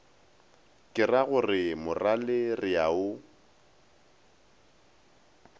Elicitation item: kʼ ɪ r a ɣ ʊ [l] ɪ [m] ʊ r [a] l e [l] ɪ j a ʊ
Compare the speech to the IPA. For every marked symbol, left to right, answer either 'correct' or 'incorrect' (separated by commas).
incorrect, correct, correct, incorrect